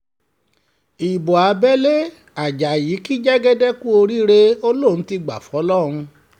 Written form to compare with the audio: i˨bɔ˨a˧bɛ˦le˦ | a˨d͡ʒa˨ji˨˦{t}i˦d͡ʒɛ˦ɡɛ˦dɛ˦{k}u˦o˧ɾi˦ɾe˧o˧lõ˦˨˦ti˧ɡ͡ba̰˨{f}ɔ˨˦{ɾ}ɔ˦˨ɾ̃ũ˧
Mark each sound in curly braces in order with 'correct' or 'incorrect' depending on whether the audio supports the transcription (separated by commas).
incorrect, correct, correct, incorrect